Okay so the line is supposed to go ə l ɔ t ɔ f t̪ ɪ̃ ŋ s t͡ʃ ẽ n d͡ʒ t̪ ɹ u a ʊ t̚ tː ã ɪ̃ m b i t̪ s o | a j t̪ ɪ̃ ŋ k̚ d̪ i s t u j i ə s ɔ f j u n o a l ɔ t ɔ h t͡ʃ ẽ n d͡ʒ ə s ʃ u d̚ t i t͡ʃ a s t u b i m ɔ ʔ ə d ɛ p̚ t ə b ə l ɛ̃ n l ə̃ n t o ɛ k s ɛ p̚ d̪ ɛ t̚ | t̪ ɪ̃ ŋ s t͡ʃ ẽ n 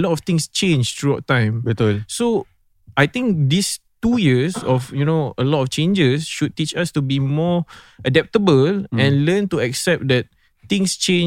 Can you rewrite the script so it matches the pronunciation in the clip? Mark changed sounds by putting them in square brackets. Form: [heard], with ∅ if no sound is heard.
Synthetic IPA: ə l ɔ t ɔ f t̪ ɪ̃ ŋ s t͡ʃ ẽ n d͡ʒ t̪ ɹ u a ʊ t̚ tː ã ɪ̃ m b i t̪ s o | a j t̪ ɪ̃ ŋ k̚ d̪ i s t u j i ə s ɔ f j u n o [ə] l ɔ t ɔ [f] t͡ʃ ẽ n d͡ʒ ə s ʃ u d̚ t i t͡ʃ a s t u b i m ɔ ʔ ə d ɛ p̚ t ə b ə l ɛ̃ n l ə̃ n t [u] ɛ k s ɛ p̚ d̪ ɛ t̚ | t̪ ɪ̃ ŋ s t͡ʃ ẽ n